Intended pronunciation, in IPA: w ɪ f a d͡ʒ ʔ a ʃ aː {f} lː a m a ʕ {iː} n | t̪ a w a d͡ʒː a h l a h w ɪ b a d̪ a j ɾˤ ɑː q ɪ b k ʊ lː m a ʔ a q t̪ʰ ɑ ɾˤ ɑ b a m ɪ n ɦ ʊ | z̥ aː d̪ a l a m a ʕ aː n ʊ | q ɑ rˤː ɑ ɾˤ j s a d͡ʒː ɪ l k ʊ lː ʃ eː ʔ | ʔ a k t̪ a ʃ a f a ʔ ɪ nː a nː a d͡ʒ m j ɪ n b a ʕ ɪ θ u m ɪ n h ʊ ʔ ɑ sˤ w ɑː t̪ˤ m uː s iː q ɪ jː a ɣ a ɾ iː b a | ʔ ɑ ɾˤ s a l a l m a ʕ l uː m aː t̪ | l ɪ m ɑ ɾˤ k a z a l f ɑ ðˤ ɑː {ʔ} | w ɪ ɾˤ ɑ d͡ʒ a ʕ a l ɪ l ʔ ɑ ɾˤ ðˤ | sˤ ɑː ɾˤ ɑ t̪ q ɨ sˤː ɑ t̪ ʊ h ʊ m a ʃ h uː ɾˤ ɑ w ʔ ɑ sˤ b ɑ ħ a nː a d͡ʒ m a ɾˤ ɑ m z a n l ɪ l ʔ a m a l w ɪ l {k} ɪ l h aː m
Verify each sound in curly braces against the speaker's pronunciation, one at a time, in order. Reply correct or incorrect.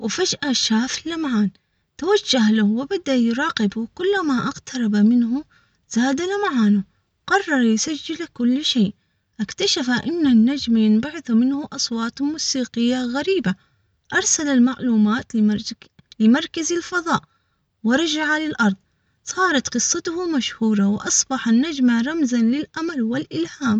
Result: correct, incorrect: aː, correct, incorrect: ʔ

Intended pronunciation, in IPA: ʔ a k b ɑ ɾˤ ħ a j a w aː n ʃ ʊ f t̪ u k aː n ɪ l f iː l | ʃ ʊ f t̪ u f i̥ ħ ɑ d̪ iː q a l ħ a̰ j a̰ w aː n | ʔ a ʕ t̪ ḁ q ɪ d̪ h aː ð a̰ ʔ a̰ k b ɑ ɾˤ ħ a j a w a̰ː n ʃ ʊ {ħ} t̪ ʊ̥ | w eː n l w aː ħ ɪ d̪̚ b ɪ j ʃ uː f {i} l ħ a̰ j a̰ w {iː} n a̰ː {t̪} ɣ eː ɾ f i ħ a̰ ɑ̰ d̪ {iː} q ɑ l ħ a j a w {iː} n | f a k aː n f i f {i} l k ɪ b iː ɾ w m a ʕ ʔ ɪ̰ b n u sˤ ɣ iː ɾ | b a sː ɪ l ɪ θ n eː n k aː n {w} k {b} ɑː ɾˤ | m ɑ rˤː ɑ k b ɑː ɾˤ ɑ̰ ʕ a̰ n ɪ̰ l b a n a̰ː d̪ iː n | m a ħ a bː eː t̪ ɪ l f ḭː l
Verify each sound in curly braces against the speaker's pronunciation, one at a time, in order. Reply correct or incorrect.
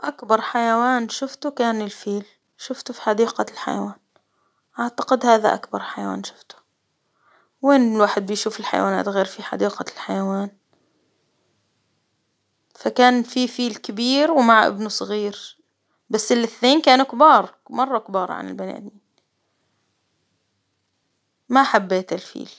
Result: incorrect: f, incorrect: ɪ, incorrect: aː, correct, correct, incorrect: aː, incorrect: iː, incorrect: u, correct

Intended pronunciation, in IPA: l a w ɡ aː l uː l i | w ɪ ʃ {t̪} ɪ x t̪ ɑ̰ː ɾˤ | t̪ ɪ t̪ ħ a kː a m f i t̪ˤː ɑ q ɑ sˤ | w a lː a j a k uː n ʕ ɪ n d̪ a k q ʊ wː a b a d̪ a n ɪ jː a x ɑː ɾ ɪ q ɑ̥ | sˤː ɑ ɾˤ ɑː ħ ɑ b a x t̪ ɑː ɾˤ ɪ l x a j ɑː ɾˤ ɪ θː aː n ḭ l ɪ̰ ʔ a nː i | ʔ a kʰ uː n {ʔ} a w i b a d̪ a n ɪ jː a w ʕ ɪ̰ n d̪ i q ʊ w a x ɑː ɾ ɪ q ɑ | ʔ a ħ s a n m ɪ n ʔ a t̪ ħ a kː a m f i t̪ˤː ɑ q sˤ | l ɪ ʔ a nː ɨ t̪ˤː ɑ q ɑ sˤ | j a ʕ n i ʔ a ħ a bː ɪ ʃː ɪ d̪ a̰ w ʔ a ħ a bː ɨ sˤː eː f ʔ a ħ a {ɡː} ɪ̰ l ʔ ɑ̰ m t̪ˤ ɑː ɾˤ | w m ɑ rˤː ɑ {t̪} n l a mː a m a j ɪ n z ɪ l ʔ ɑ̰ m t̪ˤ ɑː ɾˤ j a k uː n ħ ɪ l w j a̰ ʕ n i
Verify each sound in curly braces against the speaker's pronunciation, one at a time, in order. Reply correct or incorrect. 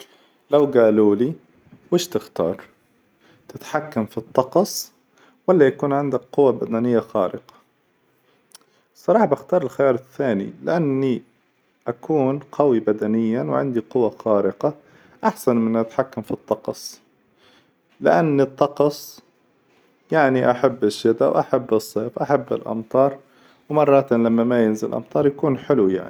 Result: correct, incorrect: q, incorrect: bː, correct

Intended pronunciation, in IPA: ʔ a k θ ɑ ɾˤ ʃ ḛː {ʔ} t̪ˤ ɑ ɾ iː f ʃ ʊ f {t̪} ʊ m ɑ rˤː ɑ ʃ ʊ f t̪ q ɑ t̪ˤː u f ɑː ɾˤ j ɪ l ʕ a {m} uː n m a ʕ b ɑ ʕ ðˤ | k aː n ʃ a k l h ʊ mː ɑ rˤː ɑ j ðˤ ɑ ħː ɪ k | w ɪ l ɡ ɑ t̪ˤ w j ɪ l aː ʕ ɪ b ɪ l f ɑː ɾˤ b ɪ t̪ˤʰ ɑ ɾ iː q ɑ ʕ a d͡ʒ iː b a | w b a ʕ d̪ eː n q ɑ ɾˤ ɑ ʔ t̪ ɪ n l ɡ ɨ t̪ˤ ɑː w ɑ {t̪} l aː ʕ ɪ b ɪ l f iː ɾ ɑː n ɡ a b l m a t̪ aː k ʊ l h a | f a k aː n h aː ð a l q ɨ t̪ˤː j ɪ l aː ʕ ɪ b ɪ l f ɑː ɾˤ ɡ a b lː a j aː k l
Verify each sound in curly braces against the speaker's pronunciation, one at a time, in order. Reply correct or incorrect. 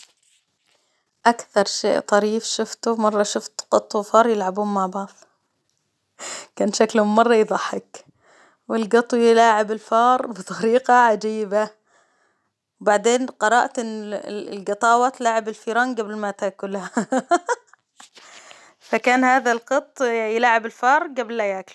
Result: correct, correct, incorrect: b, correct

